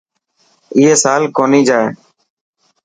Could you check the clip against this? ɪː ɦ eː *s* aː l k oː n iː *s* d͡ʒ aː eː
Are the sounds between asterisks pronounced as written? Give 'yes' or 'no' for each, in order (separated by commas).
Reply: yes, no